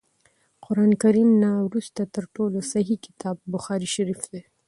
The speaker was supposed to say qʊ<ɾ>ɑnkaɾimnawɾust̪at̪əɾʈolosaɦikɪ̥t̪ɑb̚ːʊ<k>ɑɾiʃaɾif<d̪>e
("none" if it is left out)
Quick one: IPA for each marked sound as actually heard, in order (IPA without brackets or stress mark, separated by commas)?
ɾ, x, d̪